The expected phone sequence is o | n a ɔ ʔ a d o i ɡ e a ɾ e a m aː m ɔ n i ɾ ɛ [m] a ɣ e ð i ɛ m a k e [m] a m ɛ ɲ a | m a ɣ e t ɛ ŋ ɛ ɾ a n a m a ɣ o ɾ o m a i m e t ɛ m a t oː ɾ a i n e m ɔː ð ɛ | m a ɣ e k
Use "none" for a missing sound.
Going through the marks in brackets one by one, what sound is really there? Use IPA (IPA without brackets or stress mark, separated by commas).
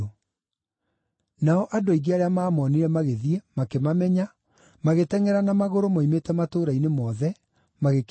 m, m